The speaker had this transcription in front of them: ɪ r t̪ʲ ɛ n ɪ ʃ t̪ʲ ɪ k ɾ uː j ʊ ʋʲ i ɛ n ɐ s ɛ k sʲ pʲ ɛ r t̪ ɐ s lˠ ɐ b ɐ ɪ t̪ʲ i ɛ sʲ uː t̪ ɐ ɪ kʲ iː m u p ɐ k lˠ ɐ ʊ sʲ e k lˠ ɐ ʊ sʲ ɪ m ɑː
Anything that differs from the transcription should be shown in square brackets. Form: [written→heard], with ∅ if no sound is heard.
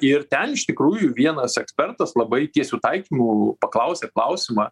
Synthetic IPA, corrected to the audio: ɪ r t̪ʲ ɛ n ɪ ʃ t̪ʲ ɪ k ɾ uː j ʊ ʋʲ i ɛ n ɐ s ɛ k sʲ pʲ ɛ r t̪ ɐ s lˠ ɐ b ɐ ɪ t̪ʲ i ɛ sʲ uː t̪ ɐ ɪ kʲ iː m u p ɐ k lˠ ɐ ʊ sʲ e k lˠ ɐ ʊ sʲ ɪ m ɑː